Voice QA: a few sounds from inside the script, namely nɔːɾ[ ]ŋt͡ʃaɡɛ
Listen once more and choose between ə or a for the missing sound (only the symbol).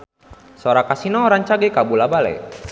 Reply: a